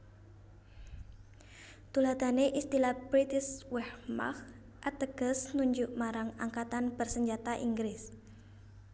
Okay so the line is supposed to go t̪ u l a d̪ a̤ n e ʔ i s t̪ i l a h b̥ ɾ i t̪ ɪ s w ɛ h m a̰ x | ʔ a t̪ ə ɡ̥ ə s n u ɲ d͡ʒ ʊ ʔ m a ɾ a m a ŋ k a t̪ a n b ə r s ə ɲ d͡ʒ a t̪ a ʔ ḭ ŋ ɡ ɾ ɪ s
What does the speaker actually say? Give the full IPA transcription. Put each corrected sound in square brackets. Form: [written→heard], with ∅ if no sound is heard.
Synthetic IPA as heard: t̪ u l a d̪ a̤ n e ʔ i s t̪ i l a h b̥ ɾ i t̪ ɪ s w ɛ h m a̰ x | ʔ a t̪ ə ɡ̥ ə s n u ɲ d͡ʒ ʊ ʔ m a ɾ a [m→ŋ] a ŋ k a t̪ a n b ə r s ə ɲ d͡ʒ a t̪ a ʔ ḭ ŋ ɡ ɾ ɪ s